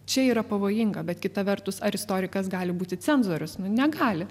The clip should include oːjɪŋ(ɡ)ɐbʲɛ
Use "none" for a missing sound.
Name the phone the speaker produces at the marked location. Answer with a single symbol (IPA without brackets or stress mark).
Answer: ɡ